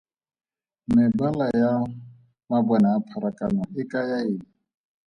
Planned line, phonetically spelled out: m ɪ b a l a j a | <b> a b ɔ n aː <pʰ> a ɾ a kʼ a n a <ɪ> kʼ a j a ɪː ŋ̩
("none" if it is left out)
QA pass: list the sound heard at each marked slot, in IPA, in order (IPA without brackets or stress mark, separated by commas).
m, pʰ, ɪ